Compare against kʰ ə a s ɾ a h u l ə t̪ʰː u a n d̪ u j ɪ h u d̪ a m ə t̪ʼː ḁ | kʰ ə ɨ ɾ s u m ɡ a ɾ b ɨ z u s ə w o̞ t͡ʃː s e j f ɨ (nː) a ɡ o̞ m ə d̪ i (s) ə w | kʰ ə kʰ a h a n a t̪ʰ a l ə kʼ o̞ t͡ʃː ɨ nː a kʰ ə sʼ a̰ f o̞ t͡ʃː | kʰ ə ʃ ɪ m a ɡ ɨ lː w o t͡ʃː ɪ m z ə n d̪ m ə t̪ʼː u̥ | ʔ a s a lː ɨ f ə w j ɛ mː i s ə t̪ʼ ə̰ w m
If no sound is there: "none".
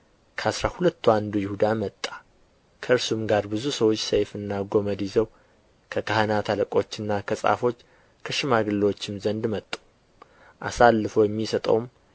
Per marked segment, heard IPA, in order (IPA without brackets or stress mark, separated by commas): nː, z